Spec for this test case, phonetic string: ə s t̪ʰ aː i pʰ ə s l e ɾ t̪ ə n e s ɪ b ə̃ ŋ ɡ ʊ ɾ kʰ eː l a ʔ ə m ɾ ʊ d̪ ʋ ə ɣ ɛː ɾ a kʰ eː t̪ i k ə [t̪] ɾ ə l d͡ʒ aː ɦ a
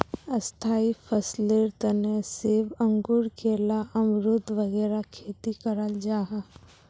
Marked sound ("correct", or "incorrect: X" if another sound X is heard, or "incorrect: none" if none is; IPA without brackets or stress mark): incorrect: none